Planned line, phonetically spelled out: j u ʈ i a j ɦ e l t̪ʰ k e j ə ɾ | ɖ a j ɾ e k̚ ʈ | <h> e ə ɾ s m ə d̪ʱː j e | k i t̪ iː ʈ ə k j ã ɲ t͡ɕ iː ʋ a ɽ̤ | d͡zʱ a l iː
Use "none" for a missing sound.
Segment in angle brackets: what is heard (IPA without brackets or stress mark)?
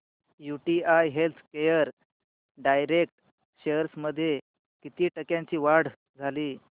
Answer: ɕ